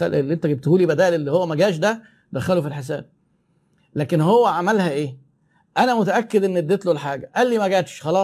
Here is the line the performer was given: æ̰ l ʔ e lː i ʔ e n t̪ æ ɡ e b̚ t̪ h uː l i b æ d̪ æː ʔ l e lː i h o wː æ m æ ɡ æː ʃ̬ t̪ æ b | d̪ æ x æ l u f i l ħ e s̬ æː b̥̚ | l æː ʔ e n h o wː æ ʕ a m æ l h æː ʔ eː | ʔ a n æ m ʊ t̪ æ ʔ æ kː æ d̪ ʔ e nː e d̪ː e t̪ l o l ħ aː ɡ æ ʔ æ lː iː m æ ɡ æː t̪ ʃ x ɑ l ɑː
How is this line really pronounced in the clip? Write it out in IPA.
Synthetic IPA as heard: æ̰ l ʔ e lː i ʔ e n t̪ æ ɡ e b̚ t̪ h uː l i b æ d̪ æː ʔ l e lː i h o wː æ m æ ɡ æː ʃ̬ d̪ æ | d̪ æ x æ l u f i l ħ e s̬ æː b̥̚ | l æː k e n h o wː æ ʕ a m æ l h æ ʔ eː | ʔ æ n æ m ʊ t̪ æ ʔ æ kː e d̪ ʔ e nː e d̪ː e t̪ l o l ħ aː ɡ æ ʔ æ lː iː m æ ɡ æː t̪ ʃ x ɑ l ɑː